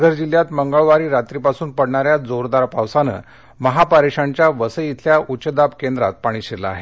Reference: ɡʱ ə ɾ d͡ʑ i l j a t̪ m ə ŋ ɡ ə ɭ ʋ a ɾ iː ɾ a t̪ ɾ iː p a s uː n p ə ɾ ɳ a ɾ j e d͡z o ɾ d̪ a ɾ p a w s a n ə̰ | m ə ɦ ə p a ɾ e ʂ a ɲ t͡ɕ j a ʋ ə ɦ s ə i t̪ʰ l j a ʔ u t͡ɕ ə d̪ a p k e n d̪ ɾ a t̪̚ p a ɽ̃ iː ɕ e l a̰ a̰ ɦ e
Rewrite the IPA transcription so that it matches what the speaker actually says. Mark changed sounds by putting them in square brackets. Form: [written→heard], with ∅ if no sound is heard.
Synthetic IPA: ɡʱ ə ɾ d͡ʑ i l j a t̪ m ə ŋ ɡ ə ɭ ʋ a ɾ iː ɾ a t̪ ɾ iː p a s uː n p ə [ɾ→ɽ] ɳ a ɾ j [e→a] d͡z o ɾ d̪ a ɾ p a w s a n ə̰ | m ə ɦ [ə→a] p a ɾ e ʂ a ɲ t͡ɕ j a ʋ ə [ɦ→∅] s ə i t̪ʰ l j a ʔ u t͡ɕ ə d̪ a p k e n d̪ ɾ a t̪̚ p a ɽ̃ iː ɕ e l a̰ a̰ ɦ e

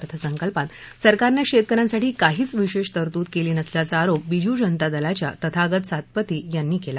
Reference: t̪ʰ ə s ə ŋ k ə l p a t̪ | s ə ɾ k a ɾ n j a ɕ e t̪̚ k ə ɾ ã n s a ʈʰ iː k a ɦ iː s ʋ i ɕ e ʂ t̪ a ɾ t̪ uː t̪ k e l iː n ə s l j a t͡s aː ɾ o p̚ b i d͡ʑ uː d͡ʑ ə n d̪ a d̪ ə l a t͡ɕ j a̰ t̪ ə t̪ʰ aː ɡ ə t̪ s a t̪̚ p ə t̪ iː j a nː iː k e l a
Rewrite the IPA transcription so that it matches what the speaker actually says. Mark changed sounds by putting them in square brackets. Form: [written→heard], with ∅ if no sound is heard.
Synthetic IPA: t̪ʰ ə s ə ŋ k ə l p a t̪ | s ə ɾ k a ɾ n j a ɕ e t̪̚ k ə ɾ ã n s a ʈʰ iː k a ɦ iː [s→t͡s] ʋ i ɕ e ʂ t̪ [a→ə] ɾ t̪ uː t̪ k e l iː n ə s l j a t͡s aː ɾ o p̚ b i d͡ʑ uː d͡ʑ ə n [d̪→t̪] a d̪ ə l a t͡ɕ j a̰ t̪ ə t̪ʰ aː ɡ ə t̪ s a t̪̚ p ə t̪ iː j a nː iː k e l a

